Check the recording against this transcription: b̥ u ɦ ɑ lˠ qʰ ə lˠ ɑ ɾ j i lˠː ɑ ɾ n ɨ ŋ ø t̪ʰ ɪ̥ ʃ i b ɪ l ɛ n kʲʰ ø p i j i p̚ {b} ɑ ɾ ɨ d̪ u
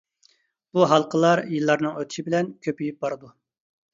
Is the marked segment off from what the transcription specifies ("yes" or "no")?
no